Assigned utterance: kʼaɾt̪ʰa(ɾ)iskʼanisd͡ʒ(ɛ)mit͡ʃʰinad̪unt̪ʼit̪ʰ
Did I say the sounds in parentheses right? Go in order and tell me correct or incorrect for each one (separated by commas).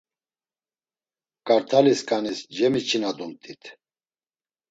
incorrect, correct